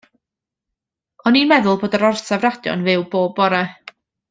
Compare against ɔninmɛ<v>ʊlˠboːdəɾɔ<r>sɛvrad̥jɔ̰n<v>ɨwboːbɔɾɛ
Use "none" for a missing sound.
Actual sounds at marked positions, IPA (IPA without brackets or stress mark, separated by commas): ð, r, v